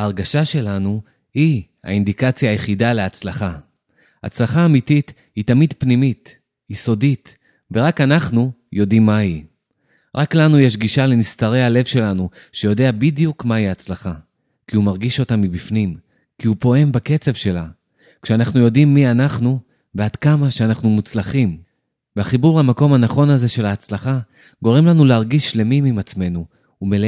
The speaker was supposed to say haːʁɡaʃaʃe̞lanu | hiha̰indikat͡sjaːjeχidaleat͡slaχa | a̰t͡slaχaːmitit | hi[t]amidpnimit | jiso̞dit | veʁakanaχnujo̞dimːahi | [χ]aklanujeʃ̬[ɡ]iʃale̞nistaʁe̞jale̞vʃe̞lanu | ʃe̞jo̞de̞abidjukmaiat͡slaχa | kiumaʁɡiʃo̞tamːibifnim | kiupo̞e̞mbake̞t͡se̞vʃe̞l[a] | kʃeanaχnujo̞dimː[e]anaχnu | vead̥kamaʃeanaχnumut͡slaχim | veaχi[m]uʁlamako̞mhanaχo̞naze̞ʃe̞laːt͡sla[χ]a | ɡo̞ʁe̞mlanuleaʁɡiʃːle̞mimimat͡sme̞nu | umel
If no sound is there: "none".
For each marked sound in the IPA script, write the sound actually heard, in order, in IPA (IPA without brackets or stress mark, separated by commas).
t, ʁ, ɡ, a, i, b, χ